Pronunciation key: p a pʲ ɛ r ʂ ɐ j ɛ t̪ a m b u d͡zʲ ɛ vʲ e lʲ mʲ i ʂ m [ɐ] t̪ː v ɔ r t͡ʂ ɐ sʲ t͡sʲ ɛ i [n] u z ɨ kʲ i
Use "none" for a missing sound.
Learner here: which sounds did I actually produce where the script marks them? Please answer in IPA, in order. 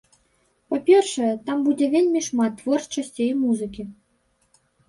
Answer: a, m

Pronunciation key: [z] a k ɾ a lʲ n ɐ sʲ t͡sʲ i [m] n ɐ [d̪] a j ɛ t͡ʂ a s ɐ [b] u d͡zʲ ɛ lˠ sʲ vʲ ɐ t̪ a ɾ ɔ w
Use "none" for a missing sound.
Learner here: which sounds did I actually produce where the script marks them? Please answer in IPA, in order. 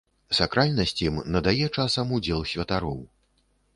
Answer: s, m, d̪, m

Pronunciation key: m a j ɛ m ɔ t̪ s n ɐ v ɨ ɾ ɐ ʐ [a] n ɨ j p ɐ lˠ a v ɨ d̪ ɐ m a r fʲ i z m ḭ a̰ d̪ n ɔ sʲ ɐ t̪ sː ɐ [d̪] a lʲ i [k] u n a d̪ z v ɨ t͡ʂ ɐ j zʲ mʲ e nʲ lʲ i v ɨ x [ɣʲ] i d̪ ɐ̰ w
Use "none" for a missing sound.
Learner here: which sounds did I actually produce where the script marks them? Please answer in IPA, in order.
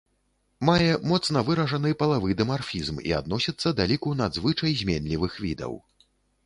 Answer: ɐ, d̪, k, vʲ

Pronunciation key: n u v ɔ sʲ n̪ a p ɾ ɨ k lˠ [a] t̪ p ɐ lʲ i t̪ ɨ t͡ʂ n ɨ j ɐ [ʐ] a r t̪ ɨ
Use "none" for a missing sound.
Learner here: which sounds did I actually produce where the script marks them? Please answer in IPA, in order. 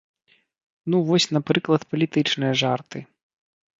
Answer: ɐ, ʐ

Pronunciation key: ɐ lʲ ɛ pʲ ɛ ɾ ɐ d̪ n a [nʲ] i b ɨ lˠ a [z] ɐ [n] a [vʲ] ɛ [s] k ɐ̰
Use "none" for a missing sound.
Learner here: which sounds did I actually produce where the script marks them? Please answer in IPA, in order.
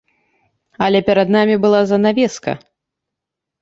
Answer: mʲ, z, n, vʲ, s

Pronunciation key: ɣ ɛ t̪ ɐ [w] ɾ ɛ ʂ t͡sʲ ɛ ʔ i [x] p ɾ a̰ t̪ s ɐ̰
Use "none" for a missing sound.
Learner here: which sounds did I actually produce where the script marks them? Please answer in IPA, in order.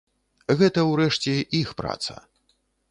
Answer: w, x

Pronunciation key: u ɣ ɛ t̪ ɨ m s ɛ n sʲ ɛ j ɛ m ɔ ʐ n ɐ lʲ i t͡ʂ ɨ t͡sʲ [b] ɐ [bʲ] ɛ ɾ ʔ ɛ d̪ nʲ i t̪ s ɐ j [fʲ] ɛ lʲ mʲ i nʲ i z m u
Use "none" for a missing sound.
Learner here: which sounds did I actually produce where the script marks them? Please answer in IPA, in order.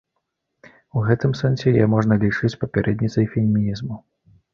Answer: p, pʲ, fʲ

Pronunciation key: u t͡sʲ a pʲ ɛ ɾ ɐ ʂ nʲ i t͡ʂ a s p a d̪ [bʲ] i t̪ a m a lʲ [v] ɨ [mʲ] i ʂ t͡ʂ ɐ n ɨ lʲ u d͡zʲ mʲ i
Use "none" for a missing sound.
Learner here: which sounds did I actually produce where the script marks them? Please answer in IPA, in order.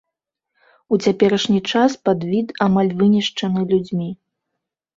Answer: vʲ, v, nʲ

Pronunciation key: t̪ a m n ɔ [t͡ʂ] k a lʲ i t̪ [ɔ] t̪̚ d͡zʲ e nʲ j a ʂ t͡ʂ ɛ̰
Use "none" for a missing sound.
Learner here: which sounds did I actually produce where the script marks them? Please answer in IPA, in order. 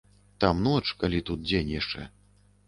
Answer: t͡ʂ, u

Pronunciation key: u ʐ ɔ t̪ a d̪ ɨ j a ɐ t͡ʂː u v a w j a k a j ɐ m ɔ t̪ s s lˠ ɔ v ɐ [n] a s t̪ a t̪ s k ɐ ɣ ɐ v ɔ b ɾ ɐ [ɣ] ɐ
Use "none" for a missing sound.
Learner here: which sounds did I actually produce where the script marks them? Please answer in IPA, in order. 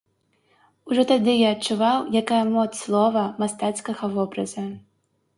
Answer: m, z

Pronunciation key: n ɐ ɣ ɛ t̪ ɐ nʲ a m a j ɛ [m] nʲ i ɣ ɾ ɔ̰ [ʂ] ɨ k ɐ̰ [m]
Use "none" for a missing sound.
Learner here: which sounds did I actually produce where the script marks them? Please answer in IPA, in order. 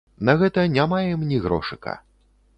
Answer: m, ʂ, none

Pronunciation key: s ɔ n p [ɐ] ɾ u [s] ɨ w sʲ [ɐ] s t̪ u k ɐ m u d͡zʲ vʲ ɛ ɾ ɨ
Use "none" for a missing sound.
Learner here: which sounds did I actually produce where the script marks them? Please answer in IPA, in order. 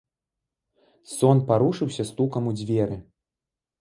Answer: a, ʂ, ɐ

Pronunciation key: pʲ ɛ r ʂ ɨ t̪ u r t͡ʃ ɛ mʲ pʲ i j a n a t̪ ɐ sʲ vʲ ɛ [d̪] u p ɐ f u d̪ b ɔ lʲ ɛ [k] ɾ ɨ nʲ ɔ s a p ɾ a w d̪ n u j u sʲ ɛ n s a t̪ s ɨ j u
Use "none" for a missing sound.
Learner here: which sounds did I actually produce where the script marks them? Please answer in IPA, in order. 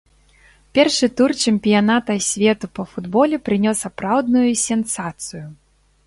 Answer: t̪, p

